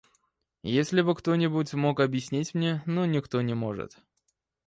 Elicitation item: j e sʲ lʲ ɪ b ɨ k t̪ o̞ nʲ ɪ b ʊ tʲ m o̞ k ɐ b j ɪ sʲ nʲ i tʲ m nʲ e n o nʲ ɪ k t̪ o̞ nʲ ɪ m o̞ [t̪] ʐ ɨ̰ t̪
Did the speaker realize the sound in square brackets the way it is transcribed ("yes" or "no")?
no